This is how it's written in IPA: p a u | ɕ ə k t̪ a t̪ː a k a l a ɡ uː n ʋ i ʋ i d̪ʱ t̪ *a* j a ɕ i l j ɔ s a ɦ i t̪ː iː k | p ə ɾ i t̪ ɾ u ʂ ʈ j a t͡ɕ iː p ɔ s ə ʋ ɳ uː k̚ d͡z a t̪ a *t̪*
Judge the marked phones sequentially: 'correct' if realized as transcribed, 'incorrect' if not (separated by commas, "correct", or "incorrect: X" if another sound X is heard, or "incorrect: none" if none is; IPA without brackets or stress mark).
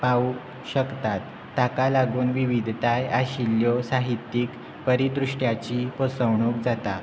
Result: correct, incorrect: none